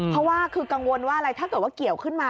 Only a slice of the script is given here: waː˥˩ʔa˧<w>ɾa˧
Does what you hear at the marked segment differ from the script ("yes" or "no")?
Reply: yes